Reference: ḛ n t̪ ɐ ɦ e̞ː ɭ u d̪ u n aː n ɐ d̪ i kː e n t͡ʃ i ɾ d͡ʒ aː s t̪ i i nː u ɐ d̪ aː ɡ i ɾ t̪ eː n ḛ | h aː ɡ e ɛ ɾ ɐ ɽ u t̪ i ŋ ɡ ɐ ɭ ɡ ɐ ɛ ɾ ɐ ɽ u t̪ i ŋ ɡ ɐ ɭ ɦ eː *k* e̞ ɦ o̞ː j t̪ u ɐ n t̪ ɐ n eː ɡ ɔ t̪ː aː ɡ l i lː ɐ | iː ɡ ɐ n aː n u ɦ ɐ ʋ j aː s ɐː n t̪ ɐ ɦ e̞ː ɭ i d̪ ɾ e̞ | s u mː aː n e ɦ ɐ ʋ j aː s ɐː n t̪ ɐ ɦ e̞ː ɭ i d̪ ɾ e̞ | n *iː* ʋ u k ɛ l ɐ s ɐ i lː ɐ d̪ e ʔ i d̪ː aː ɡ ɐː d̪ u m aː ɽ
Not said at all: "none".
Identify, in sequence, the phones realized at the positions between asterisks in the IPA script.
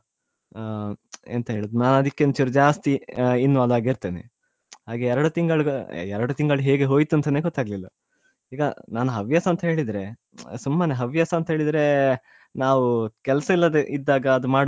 ɡ, aː

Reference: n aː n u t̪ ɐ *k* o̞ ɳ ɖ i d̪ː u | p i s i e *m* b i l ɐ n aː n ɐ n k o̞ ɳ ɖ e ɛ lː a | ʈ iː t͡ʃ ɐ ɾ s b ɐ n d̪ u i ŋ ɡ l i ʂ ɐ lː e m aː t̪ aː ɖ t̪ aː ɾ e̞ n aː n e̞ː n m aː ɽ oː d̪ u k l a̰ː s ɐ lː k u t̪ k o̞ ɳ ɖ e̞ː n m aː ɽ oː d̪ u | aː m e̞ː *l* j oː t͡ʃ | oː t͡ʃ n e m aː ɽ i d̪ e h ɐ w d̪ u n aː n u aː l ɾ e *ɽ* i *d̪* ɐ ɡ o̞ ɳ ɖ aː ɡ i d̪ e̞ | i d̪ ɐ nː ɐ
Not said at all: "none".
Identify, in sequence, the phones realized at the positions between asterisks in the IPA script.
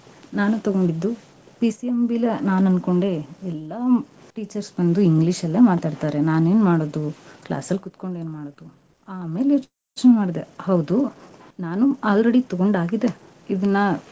ɡ, m, l, ɽ, t̪

